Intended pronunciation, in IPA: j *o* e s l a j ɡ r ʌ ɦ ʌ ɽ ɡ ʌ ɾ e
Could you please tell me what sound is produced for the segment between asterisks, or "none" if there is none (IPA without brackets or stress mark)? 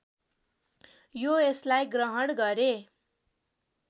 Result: o